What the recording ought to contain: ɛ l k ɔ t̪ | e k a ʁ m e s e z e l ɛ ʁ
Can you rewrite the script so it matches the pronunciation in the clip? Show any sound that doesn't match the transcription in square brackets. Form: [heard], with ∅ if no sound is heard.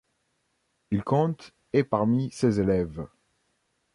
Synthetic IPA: [i] l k [ɔ̃] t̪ | e [p] a ʁ m [i] s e z e l ɛ [v]